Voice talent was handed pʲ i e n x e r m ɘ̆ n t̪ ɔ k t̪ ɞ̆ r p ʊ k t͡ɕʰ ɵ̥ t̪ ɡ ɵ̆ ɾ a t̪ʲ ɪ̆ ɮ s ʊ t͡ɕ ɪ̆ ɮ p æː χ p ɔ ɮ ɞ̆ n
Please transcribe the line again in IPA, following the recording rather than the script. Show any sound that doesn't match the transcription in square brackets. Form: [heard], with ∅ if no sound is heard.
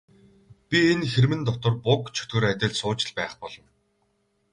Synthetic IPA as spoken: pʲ i e n x e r m ɘ̆ n t̪ ɔ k t̪ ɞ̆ r p ʊ k t͡ɕʰ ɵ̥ t̪ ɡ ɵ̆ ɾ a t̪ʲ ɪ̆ ɮ s [ʊː] t͡ɕ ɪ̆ ɮ p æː χ p ɔ ɮ ɞ̆ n

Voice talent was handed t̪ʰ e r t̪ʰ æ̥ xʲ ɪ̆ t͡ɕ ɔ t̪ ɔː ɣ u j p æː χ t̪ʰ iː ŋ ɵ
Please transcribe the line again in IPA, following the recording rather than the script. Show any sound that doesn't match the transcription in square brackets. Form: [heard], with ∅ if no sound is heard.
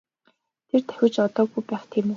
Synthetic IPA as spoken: t̪ʰ e r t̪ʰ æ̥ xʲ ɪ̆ t͡ɕ ɔ t̪ ɔː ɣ u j p æː χ t̪ʰ iː [m] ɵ

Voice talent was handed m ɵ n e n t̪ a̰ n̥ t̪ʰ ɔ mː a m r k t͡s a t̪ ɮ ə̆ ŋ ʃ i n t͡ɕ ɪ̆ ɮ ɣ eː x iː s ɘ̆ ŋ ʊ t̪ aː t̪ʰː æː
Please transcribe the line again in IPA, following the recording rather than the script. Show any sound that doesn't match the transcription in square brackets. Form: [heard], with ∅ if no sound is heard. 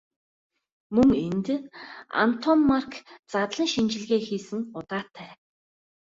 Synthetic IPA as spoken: m ɵ [ŋ] e n t̪ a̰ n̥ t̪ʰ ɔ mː a [∅] r k t͡s a t̪ ɮ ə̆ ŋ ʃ i n t͡ɕ ɪ̆ ɮ ɣ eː x iː s ɘ̆ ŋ ʊ t̪ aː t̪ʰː æː

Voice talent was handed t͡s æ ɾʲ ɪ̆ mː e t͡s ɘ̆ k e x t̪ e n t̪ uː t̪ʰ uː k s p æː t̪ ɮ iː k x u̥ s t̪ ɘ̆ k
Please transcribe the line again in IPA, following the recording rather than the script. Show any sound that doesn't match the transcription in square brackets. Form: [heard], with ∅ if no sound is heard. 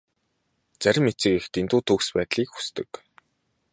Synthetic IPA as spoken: t͡s æ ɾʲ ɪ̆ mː e t͡s ɘ̆ k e x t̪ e n t̪ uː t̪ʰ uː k s p æː t̪ ɮ iː k x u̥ s t̪ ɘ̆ k

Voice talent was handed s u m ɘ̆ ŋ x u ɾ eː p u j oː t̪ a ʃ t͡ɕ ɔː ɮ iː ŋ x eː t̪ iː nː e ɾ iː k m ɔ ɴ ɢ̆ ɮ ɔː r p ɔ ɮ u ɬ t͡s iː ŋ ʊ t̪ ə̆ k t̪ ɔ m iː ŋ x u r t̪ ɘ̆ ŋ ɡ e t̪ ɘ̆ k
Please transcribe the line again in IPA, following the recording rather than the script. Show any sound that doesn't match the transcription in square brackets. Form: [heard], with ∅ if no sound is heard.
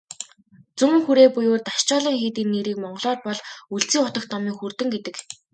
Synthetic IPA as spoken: [t͡s] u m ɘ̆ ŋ x u ɾ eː p u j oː t̪ a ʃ t͡ɕ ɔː ɮ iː ŋ x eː t̪ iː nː e ɾ iː k m ɔ ɴ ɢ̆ ɮ ɔː r p ɔ ɮ u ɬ t͡s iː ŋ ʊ t̪ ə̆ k t̪ ɔ m iː ŋ x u r t̪ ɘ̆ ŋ ɡ e t̪ ɘ̆ k

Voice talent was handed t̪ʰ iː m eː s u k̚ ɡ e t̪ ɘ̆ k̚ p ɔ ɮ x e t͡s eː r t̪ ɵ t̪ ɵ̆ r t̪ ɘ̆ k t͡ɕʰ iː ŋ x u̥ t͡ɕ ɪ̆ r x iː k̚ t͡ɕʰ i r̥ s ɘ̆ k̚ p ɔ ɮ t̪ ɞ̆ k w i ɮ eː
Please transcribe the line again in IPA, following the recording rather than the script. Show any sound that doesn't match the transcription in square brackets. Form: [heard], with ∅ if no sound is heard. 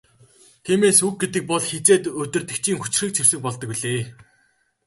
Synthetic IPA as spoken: t̪ʰ iː m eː s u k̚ ɡ e t̪ ɘ̆ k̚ p ɔ ɮ x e t͡s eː [∅] t̪ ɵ t̪ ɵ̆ r t̪ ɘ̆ k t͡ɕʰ iː ŋ x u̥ t͡ɕ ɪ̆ r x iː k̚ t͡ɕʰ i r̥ s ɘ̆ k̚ p ɔ ɮ t̪ ɞ̆ k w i ɮ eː

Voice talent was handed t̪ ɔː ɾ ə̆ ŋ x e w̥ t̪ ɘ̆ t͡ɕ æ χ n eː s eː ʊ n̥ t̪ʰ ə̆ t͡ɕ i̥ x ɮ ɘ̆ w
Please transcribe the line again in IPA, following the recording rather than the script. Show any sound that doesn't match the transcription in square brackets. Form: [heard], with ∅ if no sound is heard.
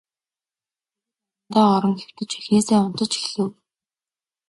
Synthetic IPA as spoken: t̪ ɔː ɾ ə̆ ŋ x e w̥ t̪ ɘ̆ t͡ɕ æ [x] n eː s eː ʊ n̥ [t̪] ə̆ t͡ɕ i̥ x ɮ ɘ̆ w

